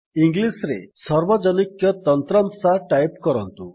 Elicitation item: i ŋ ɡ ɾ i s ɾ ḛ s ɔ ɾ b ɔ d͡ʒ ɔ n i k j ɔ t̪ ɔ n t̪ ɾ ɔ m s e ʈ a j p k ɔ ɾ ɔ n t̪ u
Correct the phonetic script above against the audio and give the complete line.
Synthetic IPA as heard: i ŋ ɡ l i s ɾ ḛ s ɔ ɾ b ɔ d͡ʒ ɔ n i k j ɔ t̪ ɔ n t̪ ɾ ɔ m s a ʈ a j p k ɔ ɾ ɔ n t̪ u